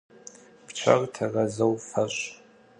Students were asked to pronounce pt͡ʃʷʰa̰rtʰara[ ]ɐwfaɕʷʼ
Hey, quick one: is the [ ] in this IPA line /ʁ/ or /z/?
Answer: z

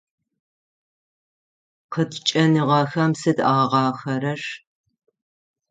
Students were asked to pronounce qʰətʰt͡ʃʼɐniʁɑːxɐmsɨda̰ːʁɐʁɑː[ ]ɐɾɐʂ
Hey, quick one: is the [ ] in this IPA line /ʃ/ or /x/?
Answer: x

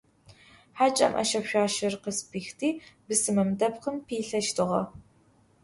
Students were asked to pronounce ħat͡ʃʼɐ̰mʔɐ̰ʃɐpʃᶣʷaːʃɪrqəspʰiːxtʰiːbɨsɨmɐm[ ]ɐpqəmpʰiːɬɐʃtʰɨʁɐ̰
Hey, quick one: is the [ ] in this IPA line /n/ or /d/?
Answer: d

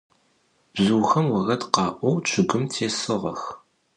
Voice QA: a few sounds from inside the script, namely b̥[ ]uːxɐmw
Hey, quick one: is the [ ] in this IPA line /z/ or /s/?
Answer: z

